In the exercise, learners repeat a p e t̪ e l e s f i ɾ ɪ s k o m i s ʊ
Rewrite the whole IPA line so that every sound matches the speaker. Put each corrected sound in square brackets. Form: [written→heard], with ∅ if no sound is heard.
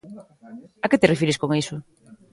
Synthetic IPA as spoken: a [p→k] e t̪ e [l→r] e [s→∅] f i ɾ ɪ s k o [m→ŋ] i s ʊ